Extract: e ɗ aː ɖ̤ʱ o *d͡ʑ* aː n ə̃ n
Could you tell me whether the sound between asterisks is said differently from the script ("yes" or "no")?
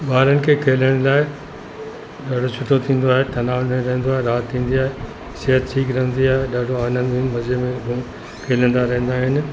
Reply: yes